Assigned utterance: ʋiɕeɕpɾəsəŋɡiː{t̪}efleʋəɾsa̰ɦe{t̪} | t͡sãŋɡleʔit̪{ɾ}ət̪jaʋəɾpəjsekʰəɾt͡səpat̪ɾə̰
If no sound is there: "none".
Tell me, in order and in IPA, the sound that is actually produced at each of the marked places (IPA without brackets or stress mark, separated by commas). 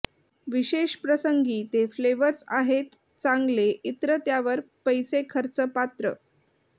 t̪, t̪, ɾ